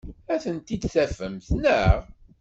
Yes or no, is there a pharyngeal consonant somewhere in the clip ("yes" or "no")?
no